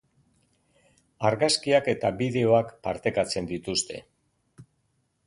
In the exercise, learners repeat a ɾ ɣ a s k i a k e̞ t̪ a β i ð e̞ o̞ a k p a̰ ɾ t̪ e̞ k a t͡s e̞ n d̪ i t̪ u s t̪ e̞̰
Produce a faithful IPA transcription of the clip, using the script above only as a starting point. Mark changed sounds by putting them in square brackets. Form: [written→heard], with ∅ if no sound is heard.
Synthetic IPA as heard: a ɾ ɣ a s k i a k e̞ t̪ a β i ð e̞ o̞ a k p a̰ ɾ t̪ e̞ k a t͡s e̞ n d̪ i t̪ u s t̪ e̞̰